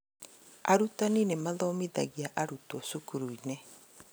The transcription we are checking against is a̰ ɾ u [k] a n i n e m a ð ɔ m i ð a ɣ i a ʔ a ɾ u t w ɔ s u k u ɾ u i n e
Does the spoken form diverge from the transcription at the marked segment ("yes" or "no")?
yes